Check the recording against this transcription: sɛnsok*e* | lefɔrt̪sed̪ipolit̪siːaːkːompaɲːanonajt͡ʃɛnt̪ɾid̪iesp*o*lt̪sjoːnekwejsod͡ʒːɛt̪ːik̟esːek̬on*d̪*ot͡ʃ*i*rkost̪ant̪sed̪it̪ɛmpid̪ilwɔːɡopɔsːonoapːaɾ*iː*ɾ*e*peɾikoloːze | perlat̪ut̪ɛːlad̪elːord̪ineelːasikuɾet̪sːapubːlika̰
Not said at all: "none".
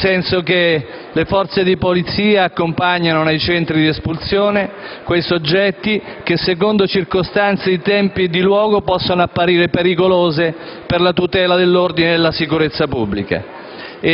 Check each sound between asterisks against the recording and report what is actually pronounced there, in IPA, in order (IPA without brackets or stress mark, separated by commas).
e, u, d̪, i, iː, e